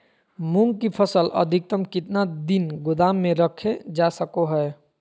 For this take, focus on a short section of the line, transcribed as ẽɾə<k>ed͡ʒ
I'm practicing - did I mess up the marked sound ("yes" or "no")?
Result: yes